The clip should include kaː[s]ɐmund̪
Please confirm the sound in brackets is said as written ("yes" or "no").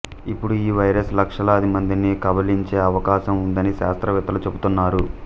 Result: no